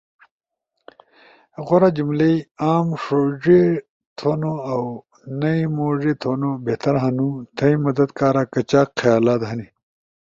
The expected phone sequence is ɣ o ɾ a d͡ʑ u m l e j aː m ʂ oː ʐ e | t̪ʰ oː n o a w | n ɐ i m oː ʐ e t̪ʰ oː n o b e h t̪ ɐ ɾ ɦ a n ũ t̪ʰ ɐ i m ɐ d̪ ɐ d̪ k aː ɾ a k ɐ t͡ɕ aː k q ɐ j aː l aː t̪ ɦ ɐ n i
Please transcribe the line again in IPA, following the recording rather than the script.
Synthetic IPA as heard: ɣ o ɾ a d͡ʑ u m l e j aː m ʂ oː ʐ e | t̪ʰ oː n o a w | n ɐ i m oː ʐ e t̪ʰ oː n o b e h t̪ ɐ ɾ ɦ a n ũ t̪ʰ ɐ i m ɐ d̪ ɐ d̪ k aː ɾ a k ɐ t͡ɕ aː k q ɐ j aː l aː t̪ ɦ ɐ n i